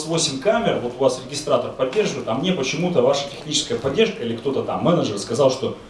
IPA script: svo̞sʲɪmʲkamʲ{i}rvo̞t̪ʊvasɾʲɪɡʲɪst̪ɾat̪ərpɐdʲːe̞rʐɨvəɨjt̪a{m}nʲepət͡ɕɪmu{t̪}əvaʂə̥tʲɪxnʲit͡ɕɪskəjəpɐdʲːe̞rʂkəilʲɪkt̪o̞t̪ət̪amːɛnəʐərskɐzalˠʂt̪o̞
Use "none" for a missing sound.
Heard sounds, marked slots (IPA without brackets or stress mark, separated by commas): ɪ, m, t̪